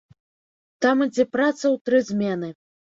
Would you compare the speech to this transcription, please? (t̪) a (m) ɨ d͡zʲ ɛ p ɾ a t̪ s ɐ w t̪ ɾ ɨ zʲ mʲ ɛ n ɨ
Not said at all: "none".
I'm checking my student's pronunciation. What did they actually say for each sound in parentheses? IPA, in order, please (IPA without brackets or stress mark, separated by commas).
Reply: t̪, m